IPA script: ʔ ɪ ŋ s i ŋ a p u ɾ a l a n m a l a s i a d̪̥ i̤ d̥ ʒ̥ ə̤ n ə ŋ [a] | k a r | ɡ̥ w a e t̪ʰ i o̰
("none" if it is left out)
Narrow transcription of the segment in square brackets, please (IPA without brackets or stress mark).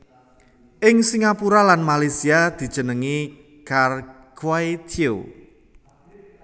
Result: i